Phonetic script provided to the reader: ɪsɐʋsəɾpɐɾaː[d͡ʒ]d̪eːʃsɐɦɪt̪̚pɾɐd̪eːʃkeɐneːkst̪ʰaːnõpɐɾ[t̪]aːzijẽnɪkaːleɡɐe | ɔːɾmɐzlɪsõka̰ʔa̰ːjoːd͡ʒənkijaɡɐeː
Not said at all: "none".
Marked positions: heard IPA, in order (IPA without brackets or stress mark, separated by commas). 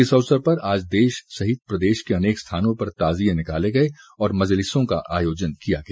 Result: d͡ʒ, t̪